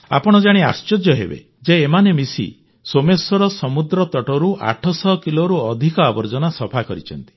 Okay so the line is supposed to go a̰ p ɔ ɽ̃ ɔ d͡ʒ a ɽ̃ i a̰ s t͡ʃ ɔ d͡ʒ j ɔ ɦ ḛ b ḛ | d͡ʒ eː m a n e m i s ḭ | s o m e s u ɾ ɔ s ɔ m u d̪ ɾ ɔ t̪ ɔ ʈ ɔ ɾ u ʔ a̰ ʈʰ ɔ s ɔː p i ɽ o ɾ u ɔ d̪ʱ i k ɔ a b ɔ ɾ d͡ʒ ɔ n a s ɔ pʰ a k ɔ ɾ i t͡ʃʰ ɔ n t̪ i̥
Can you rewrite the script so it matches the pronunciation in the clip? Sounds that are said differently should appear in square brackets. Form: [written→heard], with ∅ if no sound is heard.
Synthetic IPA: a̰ p ɔ ɽ̃ ɔ d͡ʒ a ɽ̃ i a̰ s t͡ʃ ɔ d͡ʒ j ɔ ɦ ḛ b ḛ | d͡ʒ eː m a n e m i s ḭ | s o m e s [u→ɔ] ɾ ɔ s ɔ m u d̪ ɾ ɔ t̪ ɔ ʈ ɔ ɾ u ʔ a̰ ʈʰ ɔ s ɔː [p→k] i [ɽ→l] o ɾ u ɔ d̪ʱ i k ɔ a b ɔ ɾ d͡ʒ ɔ n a s ɔ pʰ a k ɔ ɾ i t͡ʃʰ ɔ n t̪ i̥